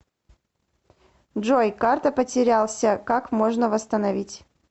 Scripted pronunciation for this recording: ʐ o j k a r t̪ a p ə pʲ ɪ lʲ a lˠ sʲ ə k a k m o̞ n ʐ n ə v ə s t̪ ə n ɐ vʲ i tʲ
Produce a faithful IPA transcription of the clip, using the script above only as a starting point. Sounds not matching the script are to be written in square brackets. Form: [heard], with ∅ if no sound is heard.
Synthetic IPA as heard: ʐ o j k a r t̪ [ə] p ə [tʲ] ɪ [ɾʲ] a lˠ sʲ ə k a k m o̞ [∅] ʐ n ə v ə s t̪ ə n ɐ vʲ i tʲ